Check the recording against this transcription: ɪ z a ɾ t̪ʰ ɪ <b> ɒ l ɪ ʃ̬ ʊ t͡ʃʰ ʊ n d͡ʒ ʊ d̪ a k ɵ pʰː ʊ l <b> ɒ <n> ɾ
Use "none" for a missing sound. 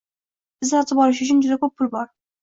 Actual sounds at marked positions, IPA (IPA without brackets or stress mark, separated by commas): b, b, none